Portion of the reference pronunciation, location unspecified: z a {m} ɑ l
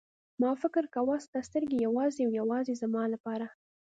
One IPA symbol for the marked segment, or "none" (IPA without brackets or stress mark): m